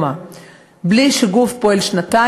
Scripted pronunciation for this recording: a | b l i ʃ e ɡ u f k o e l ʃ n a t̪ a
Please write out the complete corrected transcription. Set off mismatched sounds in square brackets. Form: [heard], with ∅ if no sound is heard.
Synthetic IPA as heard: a | b l i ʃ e ɡ u f [p] o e l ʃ n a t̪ a